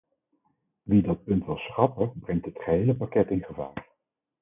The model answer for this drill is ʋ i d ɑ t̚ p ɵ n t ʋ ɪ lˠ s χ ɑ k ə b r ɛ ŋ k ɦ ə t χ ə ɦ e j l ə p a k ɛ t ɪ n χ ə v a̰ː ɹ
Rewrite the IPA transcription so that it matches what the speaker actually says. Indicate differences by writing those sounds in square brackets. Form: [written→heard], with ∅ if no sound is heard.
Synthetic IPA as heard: ʋ i d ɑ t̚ p ɵ n t ʋ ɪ lˠ s χ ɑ [k→p] ə b r ɛ ŋ [k→t] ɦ ə t χ ə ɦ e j l ə p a k ɛ t ɪ n χ ə v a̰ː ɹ